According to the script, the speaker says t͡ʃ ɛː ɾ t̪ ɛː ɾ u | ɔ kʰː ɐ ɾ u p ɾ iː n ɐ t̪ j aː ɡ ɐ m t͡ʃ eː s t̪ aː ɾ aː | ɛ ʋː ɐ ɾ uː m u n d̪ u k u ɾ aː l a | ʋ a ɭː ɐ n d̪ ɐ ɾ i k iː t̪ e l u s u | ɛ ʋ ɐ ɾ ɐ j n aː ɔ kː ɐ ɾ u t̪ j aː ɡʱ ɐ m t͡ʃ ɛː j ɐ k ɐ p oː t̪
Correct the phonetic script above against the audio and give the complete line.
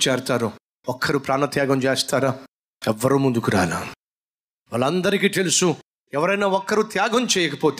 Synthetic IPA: t͡ʃ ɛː ɾ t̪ aː ɾ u | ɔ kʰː ɐ ɾ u p ɾ aː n ɐ t̪ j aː ɡ ɐ m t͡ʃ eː s t̪ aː ɾ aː | ɛ ʋː ɐ ɾ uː m u n d̪ u k u ɾ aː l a | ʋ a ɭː ɐ n d̪ ɐ ɾ i k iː t̪ e l u s u | ɛ ʋ ɐ ɾ ɐ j n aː ɔ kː ɐ ɾ u t̪ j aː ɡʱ ɐ m t͡ʃ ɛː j ɐ k ɐ p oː t̪